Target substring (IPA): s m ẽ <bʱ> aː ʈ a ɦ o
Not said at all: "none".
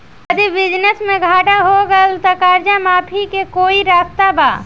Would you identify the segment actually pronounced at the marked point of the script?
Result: ɡʱ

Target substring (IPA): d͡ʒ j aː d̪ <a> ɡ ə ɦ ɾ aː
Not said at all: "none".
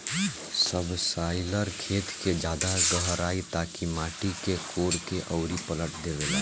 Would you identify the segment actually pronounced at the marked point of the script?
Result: a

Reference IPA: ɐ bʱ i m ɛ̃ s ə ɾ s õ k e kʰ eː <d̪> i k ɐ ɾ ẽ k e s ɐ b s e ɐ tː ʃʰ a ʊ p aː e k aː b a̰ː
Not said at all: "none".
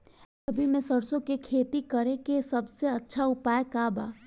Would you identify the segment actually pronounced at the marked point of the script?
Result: t̪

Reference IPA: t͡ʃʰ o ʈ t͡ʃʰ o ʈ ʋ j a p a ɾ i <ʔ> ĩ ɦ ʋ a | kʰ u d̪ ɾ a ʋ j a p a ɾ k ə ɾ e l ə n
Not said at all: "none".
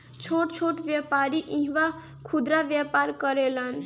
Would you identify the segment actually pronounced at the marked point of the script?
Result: ʔ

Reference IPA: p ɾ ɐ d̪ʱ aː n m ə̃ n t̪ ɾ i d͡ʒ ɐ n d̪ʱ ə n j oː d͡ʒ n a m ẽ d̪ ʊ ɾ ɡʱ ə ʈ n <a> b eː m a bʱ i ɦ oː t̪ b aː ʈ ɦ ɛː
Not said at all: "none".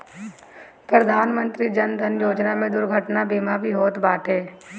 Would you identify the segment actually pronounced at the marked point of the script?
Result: a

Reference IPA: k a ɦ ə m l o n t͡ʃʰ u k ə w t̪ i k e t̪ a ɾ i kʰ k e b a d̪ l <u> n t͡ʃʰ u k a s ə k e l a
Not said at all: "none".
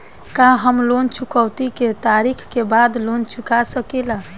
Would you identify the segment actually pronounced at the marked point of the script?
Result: o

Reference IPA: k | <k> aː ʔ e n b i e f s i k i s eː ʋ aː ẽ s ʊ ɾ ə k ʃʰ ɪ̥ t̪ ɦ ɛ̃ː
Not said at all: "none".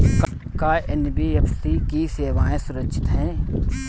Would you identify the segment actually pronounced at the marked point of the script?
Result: k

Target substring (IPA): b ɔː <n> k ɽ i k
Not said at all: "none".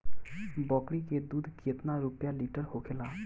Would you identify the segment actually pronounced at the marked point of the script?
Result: none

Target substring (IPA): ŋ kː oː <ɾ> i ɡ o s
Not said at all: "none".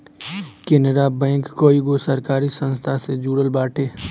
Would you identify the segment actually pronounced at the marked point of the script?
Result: none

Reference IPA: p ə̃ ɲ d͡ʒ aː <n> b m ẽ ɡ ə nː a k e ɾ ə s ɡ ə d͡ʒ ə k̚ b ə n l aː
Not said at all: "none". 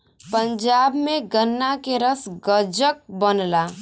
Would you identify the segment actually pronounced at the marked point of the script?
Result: none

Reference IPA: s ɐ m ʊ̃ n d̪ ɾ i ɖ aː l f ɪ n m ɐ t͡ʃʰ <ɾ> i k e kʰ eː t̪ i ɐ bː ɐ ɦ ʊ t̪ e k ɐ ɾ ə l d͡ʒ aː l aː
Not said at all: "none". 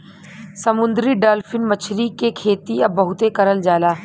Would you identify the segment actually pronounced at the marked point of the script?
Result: ɾ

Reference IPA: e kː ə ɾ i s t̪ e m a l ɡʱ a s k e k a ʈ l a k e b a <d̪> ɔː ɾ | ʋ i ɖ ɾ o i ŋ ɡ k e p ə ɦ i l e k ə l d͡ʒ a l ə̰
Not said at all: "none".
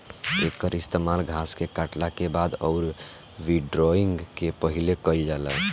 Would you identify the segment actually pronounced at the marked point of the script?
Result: d̪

